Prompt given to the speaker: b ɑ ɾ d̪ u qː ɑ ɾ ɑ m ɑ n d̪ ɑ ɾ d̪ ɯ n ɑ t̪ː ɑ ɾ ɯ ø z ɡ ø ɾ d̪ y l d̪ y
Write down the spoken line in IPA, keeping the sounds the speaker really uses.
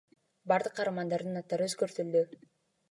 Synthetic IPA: b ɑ ɾ d̪ ɯ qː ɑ ɾ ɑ m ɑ n d̪ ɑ ɾ d̪ ɯ n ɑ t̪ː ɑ ɾ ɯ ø z ɡ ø ɾ t̪ y l d̪ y